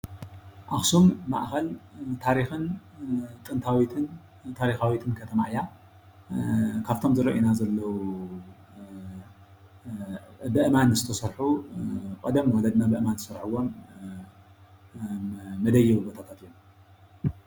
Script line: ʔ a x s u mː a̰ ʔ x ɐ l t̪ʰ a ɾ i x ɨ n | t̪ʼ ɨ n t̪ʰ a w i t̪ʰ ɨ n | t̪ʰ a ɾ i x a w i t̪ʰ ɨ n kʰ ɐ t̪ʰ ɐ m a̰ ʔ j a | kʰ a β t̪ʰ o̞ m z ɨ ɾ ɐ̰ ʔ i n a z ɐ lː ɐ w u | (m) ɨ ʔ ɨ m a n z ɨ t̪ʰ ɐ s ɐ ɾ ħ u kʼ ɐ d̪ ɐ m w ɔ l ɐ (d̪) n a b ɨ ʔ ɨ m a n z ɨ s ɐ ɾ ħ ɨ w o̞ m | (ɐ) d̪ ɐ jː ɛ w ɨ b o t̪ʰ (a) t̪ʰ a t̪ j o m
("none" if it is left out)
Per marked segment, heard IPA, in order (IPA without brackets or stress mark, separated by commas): b, d̪, ɐ, a